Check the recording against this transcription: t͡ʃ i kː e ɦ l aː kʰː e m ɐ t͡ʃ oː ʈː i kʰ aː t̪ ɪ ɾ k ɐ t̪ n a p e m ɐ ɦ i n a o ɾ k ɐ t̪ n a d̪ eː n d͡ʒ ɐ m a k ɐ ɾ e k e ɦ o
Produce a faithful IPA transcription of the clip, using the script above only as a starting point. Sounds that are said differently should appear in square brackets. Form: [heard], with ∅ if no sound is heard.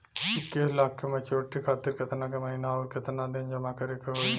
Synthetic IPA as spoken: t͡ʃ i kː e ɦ l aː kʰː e m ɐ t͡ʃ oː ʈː i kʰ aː t̪ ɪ ɾ k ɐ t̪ n a [k] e m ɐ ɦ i n a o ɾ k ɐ t̪ n a d̪ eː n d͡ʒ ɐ m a k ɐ ɾ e k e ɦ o